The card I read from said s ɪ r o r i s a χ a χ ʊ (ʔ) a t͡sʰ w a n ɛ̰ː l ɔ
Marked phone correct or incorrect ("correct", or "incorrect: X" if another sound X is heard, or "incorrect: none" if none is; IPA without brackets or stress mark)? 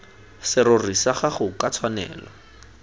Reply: incorrect: k